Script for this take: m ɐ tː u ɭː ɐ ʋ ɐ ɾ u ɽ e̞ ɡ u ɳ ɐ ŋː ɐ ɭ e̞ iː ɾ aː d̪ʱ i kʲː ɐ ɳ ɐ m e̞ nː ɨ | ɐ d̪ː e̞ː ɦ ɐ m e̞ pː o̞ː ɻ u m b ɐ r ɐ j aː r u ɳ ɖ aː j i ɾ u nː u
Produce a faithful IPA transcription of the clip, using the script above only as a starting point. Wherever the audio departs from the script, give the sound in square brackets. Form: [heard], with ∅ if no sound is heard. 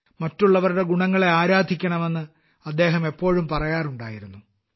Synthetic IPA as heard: m ɐ tː u ɭː ɐ ʋ ɐ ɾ u ɽ e̞ ɡ u ɳ ɐ ŋː ɐ ɭ e̞ [aː] ɾ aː d̪ʱ i kʲː ɐ ɳ ɐ m e̞ nː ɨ | ɐ d̪ː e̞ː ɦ ɐ m e̞ pː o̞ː ɻ u m [p] ɐ r ɐ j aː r u ɳ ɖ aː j i ɾ u nː u